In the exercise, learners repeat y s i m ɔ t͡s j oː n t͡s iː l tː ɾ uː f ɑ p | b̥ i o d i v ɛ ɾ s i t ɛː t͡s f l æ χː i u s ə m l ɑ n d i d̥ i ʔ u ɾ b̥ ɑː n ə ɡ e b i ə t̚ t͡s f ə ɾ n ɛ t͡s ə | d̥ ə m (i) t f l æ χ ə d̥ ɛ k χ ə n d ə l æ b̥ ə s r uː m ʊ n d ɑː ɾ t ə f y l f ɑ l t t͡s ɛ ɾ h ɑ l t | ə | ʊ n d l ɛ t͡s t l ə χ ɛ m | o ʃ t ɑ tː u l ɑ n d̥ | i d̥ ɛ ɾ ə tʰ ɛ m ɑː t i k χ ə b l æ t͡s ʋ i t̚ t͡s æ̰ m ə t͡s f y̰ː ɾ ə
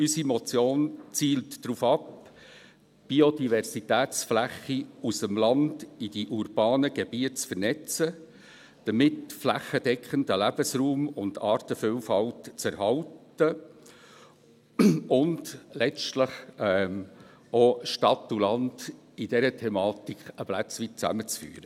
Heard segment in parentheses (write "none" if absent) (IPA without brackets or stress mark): ɪ